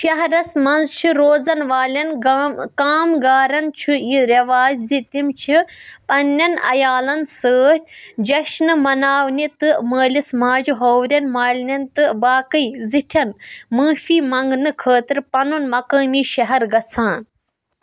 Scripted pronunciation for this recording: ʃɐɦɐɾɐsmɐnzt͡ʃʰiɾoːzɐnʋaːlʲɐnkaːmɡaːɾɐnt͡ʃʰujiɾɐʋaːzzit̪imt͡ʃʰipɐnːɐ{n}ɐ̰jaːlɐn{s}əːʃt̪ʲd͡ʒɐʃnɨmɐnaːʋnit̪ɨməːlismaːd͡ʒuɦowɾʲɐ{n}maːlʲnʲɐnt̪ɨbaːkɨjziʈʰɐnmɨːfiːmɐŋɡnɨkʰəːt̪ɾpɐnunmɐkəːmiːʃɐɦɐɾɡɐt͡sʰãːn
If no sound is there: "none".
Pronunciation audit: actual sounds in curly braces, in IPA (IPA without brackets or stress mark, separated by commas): n, s, n